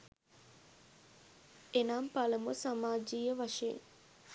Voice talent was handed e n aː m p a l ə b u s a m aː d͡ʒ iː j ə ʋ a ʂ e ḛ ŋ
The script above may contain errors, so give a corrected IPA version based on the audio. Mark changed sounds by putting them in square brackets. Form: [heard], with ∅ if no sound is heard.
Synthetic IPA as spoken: e n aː m p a l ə [m] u s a m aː d͡ʒ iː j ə ʋ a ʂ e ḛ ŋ